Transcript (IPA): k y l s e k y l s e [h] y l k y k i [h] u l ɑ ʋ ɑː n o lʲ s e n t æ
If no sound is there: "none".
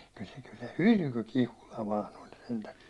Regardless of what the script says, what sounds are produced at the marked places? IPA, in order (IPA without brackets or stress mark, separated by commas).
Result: h, h